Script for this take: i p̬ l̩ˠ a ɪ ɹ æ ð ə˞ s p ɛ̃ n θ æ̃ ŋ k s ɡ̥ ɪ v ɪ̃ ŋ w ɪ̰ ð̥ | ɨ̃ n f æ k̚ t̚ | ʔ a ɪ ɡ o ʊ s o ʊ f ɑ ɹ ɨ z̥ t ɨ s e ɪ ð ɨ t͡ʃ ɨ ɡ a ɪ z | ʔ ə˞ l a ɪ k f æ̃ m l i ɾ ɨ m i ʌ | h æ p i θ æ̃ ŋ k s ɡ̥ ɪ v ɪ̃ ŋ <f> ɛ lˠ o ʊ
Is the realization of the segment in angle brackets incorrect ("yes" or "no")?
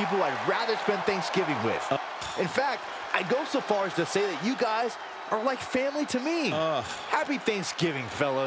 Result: no